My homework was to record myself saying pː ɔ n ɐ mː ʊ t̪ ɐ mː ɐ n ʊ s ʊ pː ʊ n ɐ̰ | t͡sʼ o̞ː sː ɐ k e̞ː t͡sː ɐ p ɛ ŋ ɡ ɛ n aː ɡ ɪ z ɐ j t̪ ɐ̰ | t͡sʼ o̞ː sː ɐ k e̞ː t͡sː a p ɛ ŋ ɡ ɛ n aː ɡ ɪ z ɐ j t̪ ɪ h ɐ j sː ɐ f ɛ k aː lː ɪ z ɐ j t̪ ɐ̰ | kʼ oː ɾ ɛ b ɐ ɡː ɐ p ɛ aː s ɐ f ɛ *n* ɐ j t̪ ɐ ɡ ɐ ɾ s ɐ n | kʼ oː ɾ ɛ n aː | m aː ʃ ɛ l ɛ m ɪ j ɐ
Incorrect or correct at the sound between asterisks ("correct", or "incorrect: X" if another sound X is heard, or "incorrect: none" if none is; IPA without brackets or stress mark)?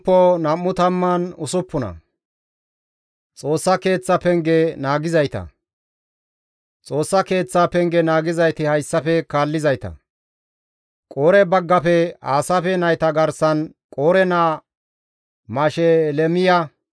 correct